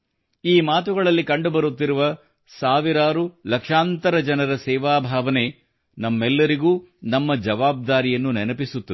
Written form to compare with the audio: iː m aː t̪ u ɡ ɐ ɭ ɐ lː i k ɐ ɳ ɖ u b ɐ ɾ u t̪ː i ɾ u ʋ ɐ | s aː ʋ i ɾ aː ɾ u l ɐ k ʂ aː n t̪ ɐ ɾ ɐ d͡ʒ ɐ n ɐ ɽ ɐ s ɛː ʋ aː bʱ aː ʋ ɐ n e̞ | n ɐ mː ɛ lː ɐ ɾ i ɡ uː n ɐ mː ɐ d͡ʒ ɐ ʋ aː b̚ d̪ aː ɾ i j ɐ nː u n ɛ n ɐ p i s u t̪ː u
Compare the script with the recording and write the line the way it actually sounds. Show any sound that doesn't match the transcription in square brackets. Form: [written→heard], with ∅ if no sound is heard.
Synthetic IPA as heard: iː m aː t̪ u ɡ ɐ ɭ ɐ lː i k ɐ ɳ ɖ u b ɐ ɾ u t̪ː i ɾ u ʋ ɐ | s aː ʋ i ɾ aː ɾ u l ɐ k ʂ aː n t̪ ɐ ɾ ɐ d͡ʒ ɐ n ɐ [ɽ→ɾ] ɐ s ɛː ʋ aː bʱ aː ʋ ɐ n e̞ | n ɐ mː ɛ lː ɐ ɾ i ɡ uː n ɐ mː ɐ d͡ʒ ɐ ʋ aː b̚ d̪ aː ɾ i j ɐ nː u n ɛ n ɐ p i s u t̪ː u